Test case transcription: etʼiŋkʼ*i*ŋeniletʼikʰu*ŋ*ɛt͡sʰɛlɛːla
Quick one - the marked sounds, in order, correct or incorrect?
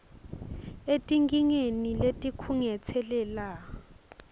correct, correct

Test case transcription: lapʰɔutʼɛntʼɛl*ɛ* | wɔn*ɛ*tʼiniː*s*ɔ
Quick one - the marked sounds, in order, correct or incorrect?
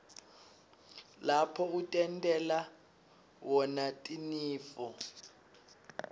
incorrect: a, incorrect: a, incorrect: f

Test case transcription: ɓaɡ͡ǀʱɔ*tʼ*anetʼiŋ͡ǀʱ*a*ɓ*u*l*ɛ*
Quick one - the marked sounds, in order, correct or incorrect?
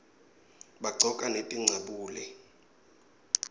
incorrect: kʼ, correct, incorrect: uː, correct

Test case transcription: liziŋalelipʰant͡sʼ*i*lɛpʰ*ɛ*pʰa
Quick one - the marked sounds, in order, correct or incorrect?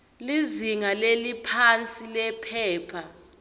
correct, incorrect: ɛː

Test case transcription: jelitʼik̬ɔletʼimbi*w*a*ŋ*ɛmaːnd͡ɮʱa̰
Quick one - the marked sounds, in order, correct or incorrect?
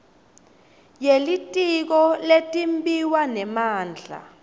correct, incorrect: n

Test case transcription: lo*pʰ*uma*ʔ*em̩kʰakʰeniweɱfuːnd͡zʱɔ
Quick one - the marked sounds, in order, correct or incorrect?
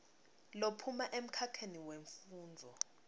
correct, correct

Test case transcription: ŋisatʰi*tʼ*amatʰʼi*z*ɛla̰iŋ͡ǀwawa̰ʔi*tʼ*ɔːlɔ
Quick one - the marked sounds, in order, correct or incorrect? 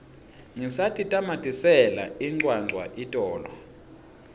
correct, incorrect: s, correct

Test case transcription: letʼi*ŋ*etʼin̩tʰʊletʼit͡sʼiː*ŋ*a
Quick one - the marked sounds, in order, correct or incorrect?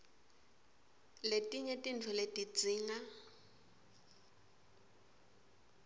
incorrect: ɲ, correct

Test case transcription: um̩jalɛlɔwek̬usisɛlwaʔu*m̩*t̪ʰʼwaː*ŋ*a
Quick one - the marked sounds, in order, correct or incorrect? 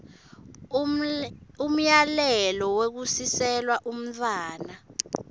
correct, incorrect: n

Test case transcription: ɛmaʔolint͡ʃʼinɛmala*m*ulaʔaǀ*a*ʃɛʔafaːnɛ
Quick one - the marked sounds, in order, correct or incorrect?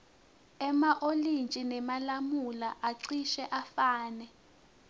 correct, incorrect: i

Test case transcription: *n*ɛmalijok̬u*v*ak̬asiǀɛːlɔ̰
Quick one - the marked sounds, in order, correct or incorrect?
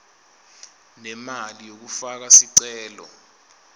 correct, incorrect: f

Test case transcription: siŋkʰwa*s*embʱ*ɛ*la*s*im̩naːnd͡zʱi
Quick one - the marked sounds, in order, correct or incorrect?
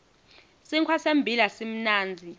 correct, incorrect: i, correct

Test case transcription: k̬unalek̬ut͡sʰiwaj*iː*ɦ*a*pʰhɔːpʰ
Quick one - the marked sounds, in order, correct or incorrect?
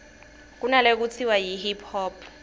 incorrect: i, incorrect: i

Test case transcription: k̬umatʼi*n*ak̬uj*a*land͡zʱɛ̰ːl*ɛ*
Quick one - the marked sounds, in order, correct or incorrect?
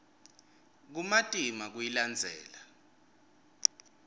incorrect: m, incorrect: i, incorrect: a

